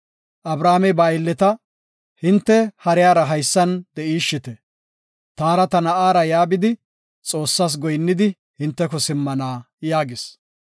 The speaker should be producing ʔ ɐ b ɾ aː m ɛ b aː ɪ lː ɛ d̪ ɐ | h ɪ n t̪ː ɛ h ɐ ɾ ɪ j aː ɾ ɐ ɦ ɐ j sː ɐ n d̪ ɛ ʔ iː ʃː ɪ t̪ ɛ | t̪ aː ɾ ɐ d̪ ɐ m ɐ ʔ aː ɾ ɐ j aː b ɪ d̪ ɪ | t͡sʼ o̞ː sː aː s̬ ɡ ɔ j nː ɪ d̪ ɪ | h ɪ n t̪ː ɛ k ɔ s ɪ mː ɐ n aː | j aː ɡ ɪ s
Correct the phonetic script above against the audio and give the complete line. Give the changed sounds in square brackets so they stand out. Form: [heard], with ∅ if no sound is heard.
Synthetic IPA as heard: ʔ ɐ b ɾ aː m ɛ b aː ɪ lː ɛ [t̪] ɐ | h ɪ n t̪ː ɛ h ɐ ɾ ɪ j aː ɾ ɐ ɦ ɐ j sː ɐ n d̪ ɛ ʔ iː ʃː ɪ t̪ ɛ | t̪ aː ɾ ɐ [t̪] ɐ [n] ɐ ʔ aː ɾ ɐ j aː b ɪ d̪ ɪ | t͡sʼ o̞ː sː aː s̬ ɡ ɔ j nː ɪ d̪ ɪ | h ɪ n t̪ː ɛ k ɔ s ɪ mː ɐ n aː | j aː ɡ ɪ s

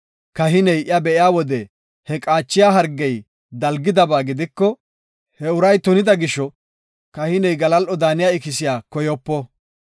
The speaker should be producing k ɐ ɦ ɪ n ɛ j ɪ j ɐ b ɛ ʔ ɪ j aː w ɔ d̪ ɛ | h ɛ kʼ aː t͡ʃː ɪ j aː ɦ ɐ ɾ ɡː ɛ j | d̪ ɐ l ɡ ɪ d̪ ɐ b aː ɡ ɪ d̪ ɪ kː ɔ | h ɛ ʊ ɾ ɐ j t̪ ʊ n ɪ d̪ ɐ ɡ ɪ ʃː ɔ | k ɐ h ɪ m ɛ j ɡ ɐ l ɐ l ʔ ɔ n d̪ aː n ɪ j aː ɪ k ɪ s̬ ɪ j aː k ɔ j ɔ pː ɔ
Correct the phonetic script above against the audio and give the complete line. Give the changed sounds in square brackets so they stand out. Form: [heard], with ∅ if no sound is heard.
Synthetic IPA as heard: k ɐ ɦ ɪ n ɛ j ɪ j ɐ b ɛ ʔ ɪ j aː w ɔ d̪ ɛ | h ɛ kʼ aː t͡ʃː ɪ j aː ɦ ɐ ɾ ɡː ɛ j | d̪ ɐ l ɡ ɪ d̪ ɐ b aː ɡ ɪ d̪ ɪ kː ɔ | h ɛ ʊ ɾ ɐ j t̪ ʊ n ɪ d̪ ɐ ɡ ɪ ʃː ɔ | k ɐ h ɪ [n] ɛ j ɡ ɐ l ɐ l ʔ ɔ [∅] d̪ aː n ɪ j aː ɪ k ɪ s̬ ɪ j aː k ɔ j ɔ pː ɔ

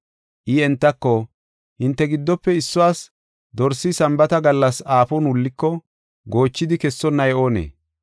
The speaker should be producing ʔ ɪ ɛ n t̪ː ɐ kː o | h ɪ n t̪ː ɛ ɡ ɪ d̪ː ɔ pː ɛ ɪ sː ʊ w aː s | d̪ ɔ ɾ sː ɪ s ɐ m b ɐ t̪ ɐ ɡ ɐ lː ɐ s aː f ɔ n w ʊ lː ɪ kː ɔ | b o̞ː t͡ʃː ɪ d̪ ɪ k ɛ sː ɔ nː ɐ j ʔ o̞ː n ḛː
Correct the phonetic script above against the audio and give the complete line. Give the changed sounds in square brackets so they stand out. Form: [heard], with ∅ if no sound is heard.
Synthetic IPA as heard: ʔ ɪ ɛ n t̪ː ɐ kː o | h ɪ n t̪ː ɛ ɡ ɪ d̪ː ɔ pː ɛ ɪ sː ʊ w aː s | d̪ ɔ ɾ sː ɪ s ɐ m b ɐ t̪ ɐ ɡ ɐ lː ɐ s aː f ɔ n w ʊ lː ɪ kː ɔ | [ɡ] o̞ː t͡ʃː ɪ d̪ ɪ k ɛ sː ɔ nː ɐ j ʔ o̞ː n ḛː

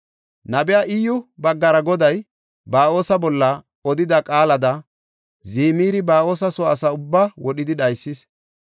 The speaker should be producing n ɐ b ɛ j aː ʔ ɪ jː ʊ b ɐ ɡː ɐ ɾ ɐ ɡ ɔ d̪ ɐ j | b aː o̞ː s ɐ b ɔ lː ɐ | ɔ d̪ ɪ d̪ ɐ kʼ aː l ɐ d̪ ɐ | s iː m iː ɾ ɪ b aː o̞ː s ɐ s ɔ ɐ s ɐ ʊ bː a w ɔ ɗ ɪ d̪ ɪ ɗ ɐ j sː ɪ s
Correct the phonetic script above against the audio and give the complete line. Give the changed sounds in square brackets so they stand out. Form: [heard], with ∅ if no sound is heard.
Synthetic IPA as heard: n ɐ b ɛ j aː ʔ ɪ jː ʊ b ɐ ɡː ɐ ɾ ɐ ɡ ɔ d̪ ɐ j | b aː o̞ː s ɐ b ɔ lː ɐ | ɔ d̪ ɪ d̪ ɐ kʼ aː l ɐ d̪ ɐ | [z] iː m iː ɾ ɪ b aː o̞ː s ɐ s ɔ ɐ s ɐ ʊ bː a w ɔ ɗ ɪ d̪ ɪ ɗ ɐ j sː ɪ s

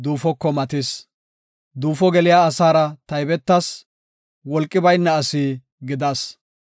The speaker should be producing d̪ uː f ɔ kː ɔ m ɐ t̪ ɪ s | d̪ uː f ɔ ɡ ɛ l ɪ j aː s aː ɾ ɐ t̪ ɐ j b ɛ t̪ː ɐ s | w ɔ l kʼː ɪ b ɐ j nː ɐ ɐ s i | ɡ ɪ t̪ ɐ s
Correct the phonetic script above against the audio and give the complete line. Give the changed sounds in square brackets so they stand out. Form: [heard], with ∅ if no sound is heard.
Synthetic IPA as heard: d̪ uː f ɔ kː ɔ m ɐ t̪ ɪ s | d̪ uː f ɔ ɡ ɛ l ɪ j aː s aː ɾ ɐ t̪ ɐ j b ɛ t̪ː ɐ s | w ɔ l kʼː ɪ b ɐ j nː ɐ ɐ s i | ɡ ɪ [d̪] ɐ s

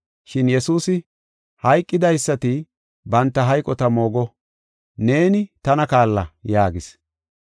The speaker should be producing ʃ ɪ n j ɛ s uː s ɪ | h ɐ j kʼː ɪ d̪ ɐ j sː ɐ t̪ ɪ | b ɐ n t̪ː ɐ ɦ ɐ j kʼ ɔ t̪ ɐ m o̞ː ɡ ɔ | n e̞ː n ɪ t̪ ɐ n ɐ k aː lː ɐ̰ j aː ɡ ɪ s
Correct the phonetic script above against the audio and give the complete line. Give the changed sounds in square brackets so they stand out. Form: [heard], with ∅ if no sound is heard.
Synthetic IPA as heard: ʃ ɪ n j ɛ s uː s ɪ | h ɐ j kʼː ɪ d̪ ɐ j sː ɐ t̪ ɪ | b ɐ n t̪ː ɐ ɦ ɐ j kʼ ɔ t̪ ɐ m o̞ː ɡ ɔ | n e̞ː n ɪ t̪ ɐ n ɐ k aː lː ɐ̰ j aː ɡ ɪ s

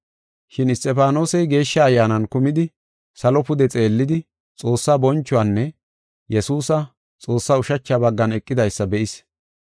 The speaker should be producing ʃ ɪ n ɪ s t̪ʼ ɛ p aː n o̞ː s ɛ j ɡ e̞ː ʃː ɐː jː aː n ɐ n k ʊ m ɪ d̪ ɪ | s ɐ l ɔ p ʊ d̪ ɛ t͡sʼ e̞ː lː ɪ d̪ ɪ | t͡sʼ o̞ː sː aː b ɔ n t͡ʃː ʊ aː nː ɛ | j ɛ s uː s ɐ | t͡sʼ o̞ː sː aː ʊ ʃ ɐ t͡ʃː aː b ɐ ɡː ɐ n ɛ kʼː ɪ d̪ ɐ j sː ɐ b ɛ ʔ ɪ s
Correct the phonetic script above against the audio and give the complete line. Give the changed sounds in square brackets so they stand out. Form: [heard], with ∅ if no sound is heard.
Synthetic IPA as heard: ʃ ɪ n ɪ s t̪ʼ ɛ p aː n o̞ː s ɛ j ɡ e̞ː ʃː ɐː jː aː n ɐ n k ʊ m ɪ d̪ ɪ | s ɐ l ɔ p ʊ d̪ ɛ t͡sʼ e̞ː lː ɪ d̪ ɪ | t͡sʼ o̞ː sː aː b ɔ n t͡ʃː ʊ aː nː ɛ | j ɛ s uː s ɐ | t͡sʼ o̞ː sː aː ʊ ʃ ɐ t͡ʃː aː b ɐ ɡː ɐ n ɛ kʼː ɪ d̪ ɐ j sː ɐ b ɛ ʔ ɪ s

